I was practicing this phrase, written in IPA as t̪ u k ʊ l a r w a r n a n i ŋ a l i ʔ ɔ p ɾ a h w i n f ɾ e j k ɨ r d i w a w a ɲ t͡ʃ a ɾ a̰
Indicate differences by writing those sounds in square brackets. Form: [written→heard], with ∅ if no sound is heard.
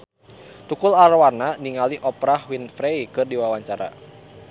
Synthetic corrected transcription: t̪ u k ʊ l a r w a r n a n i ŋ a l i ʔ ɔ p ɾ a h w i n f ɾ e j k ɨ r d i w a w a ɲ t͡ʃ a ɾ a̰

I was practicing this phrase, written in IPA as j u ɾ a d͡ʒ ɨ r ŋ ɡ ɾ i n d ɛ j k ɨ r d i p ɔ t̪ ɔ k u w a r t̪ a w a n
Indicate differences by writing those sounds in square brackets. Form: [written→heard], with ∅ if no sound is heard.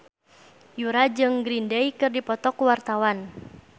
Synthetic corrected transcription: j u ɾ a d͡ʒ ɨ [r→∅] ŋ ɡ ɾ i n d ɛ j k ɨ r d i p ɔ t̪ ɔ k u w a r t̪ a w a n

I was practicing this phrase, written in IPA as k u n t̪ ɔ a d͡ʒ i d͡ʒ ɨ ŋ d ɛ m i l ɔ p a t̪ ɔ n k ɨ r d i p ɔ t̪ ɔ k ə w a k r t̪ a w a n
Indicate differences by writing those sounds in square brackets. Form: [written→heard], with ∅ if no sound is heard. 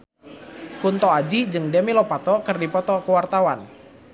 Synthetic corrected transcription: k u n t̪ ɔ a d͡ʒ i d͡ʒ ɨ ŋ d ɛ m i l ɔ p a t̪ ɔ [n→∅] k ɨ r d i p ɔ t̪ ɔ k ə w a [k→∅] r t̪ a w a n

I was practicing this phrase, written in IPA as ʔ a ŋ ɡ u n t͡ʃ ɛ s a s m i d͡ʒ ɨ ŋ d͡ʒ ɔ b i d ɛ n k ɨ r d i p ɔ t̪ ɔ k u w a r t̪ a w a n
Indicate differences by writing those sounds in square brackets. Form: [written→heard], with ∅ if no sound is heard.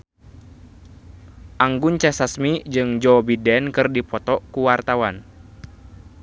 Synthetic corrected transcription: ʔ a ŋ ɡ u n t͡ʃ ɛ s a s m i d͡ʒ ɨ ŋ d͡ʒ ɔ b i d ɛ n k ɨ r d i p ɔ t̪ ɔ k u w a r t̪ a w a n

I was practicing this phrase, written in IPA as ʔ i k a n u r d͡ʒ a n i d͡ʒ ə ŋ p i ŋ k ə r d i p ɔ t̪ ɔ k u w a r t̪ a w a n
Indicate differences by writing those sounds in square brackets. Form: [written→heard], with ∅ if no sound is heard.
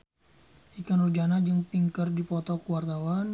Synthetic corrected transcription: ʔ i k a n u r d͡ʒ a n [i→a] d͡ʒ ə ŋ p i ŋ k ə r d i p ɔ t̪ ɔ k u w a r t̪ a w a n

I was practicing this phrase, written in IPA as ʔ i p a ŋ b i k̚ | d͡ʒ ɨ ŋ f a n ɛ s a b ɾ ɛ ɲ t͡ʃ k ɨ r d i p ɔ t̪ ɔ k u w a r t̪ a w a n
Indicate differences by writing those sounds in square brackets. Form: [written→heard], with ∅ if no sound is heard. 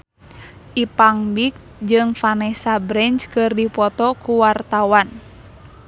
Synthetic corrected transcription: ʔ i p a ŋ b i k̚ | d͡ʒ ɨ ŋ f a n ɛ s a b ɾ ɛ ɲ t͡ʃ k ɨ r d i p ɔ t̪ ɔ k u w a r t̪ a w a n

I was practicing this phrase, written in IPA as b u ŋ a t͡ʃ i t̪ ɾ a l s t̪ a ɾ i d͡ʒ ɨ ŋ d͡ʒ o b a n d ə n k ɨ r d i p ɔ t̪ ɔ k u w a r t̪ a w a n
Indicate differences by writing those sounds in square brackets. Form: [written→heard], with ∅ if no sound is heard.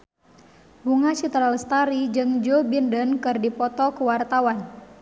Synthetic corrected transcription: b u ŋ a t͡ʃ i t̪ ɾ a l s t̪ a ɾ i d͡ʒ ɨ ŋ d͡ʒ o b [a→i] n d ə n k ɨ r d i p ɔ t̪ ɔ k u w a r t̪ a w a n

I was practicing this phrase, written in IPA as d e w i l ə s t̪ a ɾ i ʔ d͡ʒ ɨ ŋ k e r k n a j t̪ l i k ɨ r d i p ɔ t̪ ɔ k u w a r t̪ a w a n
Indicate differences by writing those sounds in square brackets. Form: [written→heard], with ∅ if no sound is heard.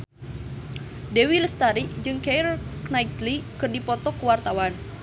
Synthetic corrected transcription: d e w i l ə s t̪ a ɾ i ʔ d͡ʒ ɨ ŋ k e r k n a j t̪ l i k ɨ r d i p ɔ t̪ ɔ k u w a r t̪ a w a n

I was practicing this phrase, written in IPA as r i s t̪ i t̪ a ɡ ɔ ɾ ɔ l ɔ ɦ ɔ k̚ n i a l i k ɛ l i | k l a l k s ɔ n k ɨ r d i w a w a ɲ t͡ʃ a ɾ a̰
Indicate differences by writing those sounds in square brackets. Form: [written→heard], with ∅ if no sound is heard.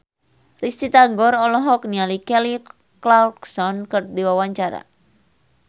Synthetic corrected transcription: r i s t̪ i t̪ a ɡ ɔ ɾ ɔ l ɔ ɦ ɔ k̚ n i a l i k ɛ l i | k l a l k s ɔ n k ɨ r d i w a w a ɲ t͡ʃ a ɾ a̰

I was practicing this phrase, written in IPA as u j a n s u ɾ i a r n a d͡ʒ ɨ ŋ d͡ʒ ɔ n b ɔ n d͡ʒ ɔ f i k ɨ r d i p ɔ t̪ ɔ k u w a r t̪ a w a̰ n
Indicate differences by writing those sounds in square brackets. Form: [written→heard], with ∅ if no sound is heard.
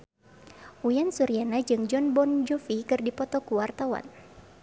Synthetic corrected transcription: u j a n s u ɾ i a [r→∅] n a d͡ʒ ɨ ŋ d͡ʒ ɔ n b ɔ n d͡ʒ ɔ f i k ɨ r d i p ɔ t̪ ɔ k u w a r t̪ a w a̰ n

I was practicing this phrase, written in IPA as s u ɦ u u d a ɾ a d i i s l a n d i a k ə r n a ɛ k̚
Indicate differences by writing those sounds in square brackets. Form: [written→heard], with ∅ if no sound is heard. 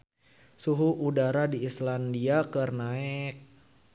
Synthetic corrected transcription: s u ɦ u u d a ɾ a d i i s l a n d i a k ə r n a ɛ k̚

